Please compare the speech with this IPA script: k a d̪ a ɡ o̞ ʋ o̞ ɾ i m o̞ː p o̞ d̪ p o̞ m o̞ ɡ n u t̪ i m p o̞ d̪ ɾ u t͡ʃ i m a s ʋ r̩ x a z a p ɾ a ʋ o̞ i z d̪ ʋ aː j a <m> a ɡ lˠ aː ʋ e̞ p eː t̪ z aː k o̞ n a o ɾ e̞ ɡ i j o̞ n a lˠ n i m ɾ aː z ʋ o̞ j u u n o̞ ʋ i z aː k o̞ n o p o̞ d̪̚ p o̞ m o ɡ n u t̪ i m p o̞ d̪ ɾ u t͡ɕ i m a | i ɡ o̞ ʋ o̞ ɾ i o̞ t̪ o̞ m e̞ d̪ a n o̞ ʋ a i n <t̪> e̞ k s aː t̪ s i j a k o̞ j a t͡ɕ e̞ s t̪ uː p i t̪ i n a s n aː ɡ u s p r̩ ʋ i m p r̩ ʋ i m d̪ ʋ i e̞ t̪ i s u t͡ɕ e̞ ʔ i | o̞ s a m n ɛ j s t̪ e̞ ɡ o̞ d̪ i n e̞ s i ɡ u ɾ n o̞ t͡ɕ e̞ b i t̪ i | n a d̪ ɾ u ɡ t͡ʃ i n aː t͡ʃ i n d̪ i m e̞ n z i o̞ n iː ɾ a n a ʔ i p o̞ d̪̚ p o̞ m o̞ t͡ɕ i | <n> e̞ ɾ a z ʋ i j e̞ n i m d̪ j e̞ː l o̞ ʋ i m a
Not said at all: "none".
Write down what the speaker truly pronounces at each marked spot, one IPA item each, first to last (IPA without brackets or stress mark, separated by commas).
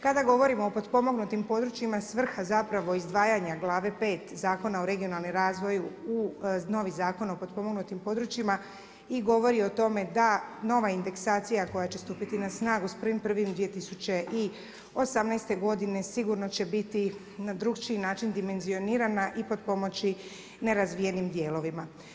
ɲ, d̪, n